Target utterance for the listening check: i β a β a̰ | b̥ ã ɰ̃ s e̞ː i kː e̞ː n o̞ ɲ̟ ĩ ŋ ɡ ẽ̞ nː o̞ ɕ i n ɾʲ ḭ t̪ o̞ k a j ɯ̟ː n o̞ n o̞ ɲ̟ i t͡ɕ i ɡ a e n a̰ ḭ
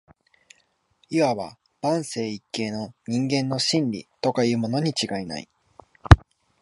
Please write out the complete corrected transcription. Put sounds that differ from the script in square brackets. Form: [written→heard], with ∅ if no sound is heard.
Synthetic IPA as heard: i β a β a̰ | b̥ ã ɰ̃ s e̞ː i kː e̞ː n o̞ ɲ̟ ĩ ŋ ɡ ẽ̞ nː o̞ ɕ [i→ĩ] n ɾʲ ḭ t̪ o̞ k a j ɯ̟ː [n→m] o̞ n o̞ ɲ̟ i t͡ɕ i ɡ a [e→i] n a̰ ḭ